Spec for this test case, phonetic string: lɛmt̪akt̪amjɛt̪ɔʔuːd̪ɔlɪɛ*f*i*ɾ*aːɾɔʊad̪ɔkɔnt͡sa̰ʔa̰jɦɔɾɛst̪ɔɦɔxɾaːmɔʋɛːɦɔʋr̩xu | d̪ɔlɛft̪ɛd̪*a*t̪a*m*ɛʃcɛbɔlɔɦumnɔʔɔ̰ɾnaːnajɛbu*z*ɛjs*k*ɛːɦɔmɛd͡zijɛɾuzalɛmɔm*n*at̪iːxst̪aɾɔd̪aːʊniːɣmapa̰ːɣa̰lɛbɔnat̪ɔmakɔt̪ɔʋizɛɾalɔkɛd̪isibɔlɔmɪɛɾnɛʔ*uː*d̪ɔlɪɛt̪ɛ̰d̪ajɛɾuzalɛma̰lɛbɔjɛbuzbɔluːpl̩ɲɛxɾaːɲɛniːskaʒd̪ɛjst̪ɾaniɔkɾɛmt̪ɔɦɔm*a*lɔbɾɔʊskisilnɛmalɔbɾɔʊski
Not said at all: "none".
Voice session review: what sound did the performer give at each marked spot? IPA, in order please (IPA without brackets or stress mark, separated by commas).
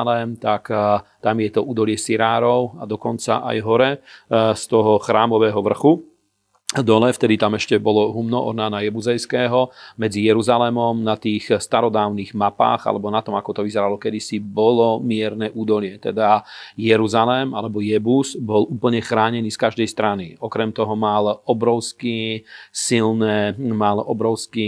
s, ɾ, i, m, z, k, n, uː, a